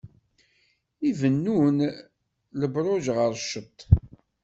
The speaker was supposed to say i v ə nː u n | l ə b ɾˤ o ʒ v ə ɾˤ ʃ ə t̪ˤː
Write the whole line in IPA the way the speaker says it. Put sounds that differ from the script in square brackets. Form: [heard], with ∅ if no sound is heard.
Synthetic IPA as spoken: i v ə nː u n | l ə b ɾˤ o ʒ [ʁ] ə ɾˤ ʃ ə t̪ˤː